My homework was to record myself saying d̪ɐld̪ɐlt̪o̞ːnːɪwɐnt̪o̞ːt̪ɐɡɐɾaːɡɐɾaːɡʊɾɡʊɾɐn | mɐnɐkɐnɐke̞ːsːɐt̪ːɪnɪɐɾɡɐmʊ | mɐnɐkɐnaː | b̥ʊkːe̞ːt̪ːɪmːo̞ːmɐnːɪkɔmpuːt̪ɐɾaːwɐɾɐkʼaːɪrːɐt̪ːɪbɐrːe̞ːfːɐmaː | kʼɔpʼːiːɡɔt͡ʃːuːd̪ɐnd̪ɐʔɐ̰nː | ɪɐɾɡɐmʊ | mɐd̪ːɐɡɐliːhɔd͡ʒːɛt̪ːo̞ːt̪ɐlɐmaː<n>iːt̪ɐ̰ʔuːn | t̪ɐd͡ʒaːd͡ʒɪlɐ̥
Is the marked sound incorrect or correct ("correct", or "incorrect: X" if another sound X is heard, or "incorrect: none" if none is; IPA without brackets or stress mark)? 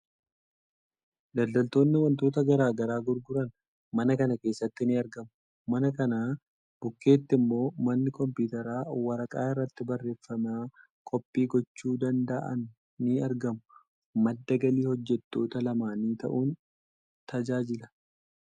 correct